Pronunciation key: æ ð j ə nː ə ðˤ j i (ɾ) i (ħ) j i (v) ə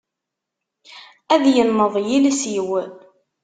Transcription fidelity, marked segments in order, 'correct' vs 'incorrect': incorrect: l, incorrect: s, incorrect: w

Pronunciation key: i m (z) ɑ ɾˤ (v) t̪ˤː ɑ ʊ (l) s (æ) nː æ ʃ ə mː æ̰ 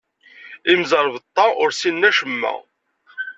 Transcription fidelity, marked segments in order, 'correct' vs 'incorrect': correct, correct, incorrect: ɾ, incorrect: i

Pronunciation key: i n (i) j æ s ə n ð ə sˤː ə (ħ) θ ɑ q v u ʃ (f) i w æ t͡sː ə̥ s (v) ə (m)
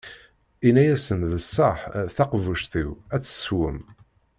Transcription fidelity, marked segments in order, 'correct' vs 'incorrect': incorrect: æ, correct, incorrect: θ, incorrect: w, correct

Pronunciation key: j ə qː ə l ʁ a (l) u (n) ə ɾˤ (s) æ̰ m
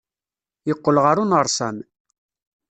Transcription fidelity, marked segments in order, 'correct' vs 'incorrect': incorrect: ɾ, correct, correct

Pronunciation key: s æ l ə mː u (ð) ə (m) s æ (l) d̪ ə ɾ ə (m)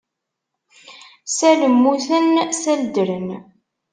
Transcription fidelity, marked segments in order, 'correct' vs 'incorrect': incorrect: θ, incorrect: n, correct, incorrect: n

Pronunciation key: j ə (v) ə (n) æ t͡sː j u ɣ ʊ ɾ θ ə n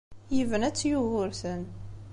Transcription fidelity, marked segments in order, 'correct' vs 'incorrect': correct, correct

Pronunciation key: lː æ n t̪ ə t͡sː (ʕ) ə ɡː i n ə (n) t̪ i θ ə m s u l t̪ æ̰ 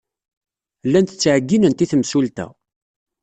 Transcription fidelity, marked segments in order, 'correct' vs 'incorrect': correct, correct

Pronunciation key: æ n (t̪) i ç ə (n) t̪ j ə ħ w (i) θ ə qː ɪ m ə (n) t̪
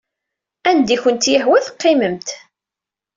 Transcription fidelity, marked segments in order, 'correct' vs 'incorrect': incorrect: d̪, correct, incorrect: æ, incorrect: m

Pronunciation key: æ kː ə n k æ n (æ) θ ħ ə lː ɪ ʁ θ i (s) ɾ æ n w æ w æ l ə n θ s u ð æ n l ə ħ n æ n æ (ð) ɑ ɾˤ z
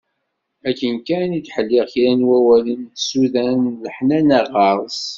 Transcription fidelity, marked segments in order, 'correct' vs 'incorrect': incorrect: i, incorrect: none, incorrect: ʁ

